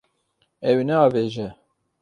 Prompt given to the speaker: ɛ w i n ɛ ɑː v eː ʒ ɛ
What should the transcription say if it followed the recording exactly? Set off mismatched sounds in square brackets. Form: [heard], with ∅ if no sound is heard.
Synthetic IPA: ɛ w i n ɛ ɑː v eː ʒ ɛ